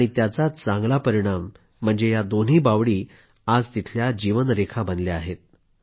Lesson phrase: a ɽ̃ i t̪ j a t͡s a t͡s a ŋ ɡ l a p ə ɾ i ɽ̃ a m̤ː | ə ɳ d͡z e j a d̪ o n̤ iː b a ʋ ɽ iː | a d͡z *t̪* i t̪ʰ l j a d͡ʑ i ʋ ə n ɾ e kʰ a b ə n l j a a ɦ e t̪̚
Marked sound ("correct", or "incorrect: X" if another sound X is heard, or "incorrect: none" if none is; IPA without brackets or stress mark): correct